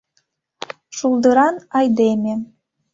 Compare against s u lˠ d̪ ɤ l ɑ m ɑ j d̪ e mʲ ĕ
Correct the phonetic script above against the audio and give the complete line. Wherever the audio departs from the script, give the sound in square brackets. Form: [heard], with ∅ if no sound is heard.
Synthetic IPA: [ʃ] u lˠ d̪ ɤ [ɾ] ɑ [n] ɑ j d̪ e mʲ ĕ